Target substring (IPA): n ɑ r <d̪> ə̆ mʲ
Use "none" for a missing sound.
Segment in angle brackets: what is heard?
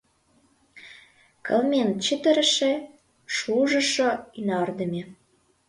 d̪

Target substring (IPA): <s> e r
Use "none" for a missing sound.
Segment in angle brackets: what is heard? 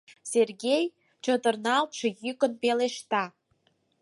s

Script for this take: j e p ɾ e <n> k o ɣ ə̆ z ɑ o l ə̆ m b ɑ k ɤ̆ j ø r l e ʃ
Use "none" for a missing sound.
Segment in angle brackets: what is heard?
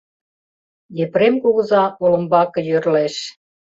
m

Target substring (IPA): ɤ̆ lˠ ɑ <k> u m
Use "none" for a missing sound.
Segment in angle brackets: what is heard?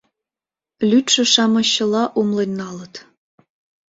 ʔ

